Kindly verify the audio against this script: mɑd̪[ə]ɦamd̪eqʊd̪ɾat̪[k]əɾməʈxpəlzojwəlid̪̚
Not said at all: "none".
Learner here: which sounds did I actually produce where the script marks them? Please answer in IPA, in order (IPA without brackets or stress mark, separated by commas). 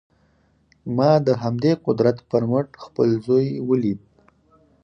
ə, p